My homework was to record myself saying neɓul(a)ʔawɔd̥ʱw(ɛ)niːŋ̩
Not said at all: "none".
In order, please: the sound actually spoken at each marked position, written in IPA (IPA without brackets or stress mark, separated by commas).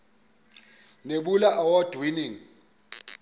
a, i